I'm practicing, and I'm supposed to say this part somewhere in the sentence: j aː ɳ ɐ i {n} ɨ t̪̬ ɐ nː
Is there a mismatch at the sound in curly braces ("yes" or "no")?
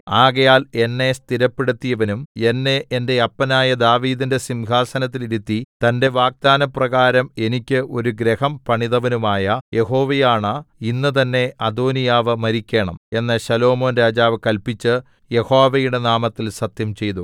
yes